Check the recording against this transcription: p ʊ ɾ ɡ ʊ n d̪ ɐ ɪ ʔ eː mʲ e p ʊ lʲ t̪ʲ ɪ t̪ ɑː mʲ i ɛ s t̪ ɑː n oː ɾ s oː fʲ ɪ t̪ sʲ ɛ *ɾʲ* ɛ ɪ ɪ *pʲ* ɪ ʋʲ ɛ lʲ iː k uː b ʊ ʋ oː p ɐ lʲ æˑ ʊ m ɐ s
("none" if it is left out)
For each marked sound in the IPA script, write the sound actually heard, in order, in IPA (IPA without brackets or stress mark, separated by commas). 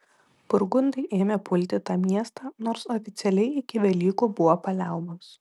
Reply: lʲ, kʲ